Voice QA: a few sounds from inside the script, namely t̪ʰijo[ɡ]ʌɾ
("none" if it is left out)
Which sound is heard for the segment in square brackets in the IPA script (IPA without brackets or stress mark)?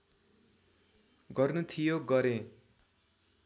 ɡ